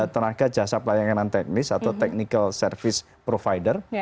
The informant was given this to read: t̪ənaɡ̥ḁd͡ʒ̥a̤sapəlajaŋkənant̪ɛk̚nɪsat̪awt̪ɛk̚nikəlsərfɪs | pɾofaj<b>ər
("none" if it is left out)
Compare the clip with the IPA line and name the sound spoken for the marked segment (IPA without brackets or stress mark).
d